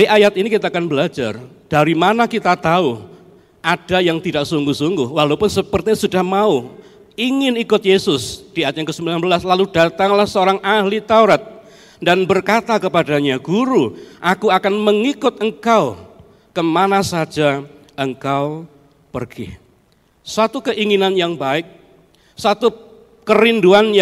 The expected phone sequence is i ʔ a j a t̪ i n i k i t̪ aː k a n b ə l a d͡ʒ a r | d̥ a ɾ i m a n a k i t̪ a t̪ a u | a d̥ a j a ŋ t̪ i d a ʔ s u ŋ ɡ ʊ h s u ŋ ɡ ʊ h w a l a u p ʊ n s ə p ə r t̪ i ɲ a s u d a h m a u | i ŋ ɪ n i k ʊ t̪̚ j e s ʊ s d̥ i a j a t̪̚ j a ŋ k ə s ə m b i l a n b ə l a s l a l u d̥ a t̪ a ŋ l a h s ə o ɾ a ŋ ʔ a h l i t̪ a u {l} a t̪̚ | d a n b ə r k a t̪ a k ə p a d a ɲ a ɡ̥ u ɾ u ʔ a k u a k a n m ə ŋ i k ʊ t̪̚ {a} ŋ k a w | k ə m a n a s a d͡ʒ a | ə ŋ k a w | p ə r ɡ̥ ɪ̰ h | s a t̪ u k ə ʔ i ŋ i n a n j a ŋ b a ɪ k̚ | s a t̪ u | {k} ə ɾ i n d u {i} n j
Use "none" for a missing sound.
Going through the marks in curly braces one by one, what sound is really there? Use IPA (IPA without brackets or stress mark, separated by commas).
ɾ, ə, k, a